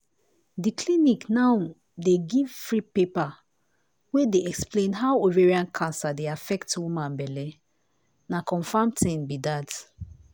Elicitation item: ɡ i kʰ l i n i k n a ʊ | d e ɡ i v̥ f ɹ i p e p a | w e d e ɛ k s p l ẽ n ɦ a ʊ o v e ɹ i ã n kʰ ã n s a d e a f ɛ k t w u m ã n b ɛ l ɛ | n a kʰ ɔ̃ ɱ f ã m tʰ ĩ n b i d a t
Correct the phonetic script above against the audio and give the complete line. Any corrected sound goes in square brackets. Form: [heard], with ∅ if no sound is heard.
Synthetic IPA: [d] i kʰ l i n i k n a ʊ | d e ɡ i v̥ f ɹ i p e p a | w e d e ɛ k s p l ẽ n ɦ a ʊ o v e ɹ i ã n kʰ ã n s a d e a f ɛ k t w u m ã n b ɛ l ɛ | n a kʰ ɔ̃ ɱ f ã m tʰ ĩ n b i d a t